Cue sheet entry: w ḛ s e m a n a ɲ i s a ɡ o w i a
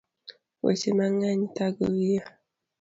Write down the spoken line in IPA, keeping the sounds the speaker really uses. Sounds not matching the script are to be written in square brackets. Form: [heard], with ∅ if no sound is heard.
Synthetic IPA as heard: w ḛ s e m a [ŋ] a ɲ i [t] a ɡ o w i a